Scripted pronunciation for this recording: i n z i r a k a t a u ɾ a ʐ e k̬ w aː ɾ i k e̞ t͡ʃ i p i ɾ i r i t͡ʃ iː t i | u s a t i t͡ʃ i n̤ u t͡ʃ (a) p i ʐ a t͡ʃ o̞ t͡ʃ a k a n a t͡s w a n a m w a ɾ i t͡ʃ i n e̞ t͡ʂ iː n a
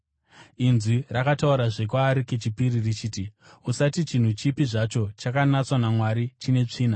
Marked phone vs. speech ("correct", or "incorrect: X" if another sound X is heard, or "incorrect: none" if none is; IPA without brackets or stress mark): incorrect: i